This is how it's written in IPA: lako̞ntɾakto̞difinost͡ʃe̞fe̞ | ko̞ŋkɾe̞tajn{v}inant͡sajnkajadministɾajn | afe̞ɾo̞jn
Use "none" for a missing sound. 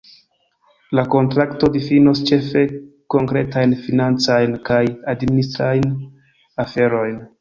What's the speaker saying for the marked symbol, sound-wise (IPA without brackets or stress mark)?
f